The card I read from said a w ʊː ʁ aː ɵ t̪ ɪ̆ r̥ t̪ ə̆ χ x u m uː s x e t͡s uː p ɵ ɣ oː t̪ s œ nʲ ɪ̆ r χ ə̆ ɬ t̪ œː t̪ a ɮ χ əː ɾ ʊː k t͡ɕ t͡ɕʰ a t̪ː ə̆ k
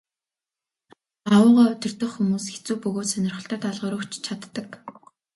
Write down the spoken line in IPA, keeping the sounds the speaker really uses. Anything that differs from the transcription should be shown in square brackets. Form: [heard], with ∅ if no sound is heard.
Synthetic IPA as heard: a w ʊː ʁ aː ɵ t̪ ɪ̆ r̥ t̪ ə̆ χ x u m uː s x e t͡s uː p ɵ ɣ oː t̪ s œ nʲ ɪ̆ r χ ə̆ ɬ t̪ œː t̪ a ɮ [ʁ] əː ɾ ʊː k t͡ɕ t͡ɕʰ a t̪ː ə̆ k